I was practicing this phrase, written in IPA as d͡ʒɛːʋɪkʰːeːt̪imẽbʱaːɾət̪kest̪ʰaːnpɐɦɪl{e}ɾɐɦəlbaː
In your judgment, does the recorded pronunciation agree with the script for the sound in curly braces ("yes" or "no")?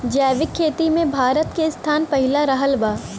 no